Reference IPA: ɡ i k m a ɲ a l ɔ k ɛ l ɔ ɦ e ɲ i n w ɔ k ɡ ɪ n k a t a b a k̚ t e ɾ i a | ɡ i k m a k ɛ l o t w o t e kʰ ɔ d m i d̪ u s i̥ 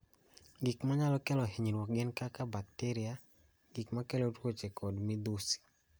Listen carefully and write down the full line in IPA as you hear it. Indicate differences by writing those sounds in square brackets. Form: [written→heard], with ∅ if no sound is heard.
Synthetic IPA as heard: ɡ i k m a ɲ a l ɔ k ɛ l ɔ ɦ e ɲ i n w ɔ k ɡ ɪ n k a [t→k] a b a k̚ t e ɾ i a | ɡ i k m a k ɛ l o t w o [t→t͡ʃ] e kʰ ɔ d m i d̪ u s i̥